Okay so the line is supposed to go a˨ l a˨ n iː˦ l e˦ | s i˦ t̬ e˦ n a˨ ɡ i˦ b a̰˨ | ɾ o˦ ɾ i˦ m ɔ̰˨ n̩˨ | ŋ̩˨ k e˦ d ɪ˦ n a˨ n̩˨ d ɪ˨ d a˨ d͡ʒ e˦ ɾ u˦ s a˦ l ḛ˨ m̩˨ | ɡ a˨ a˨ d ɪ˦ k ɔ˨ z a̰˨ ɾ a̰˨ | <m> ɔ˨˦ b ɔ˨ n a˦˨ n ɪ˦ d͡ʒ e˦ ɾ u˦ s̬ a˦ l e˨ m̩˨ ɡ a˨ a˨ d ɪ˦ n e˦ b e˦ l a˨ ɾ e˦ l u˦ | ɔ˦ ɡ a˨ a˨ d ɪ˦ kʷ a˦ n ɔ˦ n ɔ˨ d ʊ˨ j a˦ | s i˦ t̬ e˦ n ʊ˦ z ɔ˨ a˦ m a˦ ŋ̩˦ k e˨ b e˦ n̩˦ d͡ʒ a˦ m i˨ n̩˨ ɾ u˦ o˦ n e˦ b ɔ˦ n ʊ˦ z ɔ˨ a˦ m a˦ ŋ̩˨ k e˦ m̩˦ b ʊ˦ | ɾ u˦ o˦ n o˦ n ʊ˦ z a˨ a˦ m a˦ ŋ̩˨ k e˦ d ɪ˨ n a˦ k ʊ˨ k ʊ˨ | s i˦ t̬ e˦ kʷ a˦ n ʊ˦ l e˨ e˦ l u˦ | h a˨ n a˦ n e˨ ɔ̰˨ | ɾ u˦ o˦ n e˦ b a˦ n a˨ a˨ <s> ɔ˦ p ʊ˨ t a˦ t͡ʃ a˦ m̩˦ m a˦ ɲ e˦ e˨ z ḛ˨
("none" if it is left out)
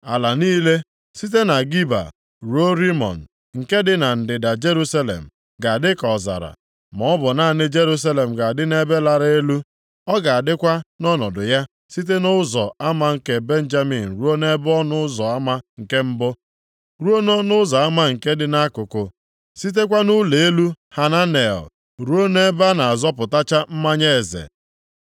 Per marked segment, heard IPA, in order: m, z

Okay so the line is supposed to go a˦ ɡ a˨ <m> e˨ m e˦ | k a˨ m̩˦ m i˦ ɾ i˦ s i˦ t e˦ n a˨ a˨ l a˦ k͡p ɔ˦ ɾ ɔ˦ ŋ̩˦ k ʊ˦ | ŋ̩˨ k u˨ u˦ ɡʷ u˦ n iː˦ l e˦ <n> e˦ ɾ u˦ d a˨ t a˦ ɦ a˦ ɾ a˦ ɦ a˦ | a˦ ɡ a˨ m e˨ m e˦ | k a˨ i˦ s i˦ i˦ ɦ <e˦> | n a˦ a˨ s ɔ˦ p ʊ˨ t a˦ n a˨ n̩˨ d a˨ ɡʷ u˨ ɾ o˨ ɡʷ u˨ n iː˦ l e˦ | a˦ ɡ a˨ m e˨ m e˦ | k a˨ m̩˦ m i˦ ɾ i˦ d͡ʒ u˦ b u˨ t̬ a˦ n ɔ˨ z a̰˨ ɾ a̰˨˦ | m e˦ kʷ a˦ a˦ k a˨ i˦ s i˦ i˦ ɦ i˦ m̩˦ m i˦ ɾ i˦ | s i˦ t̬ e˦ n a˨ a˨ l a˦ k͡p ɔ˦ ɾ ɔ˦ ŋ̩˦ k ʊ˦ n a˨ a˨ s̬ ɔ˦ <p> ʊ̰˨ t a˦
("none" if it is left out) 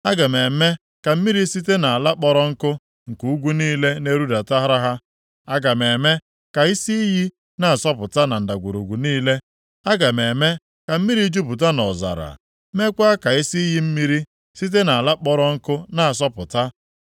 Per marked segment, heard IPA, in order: m, n, i˦, p

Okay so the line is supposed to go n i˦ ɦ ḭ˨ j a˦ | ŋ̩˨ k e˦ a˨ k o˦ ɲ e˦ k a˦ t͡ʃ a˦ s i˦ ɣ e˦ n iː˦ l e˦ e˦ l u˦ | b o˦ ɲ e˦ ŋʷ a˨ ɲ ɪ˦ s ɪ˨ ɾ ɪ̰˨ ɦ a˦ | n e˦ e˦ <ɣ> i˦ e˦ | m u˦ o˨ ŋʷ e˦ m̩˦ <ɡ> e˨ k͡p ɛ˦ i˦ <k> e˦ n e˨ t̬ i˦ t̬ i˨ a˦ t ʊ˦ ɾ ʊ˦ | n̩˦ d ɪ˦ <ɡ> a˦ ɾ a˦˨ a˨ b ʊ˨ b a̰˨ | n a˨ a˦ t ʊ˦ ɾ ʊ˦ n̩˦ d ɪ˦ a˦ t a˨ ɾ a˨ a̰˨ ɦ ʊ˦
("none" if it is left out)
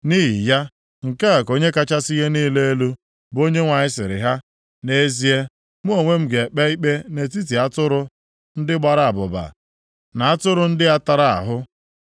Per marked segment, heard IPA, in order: z, ɡ, k͡p, ɡ͡b

